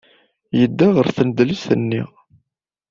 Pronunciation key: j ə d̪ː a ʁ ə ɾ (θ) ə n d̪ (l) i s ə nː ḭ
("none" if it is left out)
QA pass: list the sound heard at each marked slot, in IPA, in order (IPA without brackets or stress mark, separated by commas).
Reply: θ, l